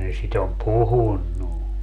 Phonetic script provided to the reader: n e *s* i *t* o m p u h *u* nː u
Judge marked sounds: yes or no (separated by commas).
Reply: yes, yes, yes